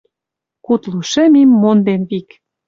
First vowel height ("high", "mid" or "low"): high